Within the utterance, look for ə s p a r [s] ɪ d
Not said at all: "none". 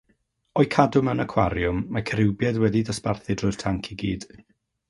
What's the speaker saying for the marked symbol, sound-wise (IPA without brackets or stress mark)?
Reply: θ